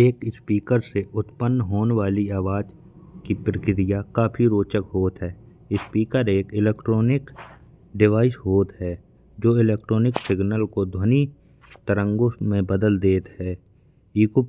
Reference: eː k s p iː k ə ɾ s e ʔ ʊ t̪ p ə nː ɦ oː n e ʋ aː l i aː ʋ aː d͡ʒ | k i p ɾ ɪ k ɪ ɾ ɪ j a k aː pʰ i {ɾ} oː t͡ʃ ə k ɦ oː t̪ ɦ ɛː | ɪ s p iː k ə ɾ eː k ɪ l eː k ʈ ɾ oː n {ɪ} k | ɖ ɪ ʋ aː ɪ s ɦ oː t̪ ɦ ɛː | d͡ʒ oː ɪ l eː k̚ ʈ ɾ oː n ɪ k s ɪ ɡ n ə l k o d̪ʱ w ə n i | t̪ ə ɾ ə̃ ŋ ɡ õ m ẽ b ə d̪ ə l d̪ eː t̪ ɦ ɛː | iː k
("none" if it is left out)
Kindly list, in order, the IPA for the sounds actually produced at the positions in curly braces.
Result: ɾ, ɪ

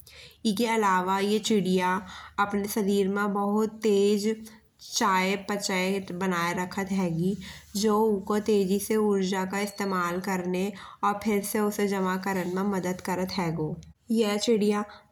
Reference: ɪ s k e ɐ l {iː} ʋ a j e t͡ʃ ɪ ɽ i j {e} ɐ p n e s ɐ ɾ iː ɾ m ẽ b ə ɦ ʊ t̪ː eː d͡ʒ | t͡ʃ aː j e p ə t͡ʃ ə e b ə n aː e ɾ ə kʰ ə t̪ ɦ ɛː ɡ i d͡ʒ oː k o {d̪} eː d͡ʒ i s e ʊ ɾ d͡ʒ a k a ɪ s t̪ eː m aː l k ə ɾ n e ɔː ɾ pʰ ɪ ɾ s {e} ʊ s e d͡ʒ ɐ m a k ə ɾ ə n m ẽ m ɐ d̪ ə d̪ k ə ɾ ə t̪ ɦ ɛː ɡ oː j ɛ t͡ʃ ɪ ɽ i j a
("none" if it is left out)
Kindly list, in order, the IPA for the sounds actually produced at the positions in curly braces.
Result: aː, a, t̪, e

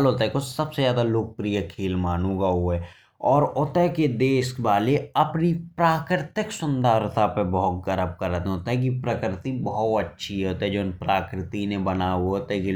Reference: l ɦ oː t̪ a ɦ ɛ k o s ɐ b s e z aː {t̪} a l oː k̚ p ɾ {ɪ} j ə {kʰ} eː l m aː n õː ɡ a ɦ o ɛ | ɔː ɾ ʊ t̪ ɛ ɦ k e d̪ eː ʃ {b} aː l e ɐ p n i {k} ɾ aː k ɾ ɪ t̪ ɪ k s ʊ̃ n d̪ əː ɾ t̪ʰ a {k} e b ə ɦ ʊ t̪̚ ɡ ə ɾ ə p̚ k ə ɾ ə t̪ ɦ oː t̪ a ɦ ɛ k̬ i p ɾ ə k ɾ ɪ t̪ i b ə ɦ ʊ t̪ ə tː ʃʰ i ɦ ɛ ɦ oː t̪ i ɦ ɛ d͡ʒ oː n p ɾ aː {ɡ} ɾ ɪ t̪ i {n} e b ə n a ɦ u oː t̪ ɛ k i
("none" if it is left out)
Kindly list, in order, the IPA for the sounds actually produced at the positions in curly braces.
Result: d̪, i, kʰ, b, p, p, k, n

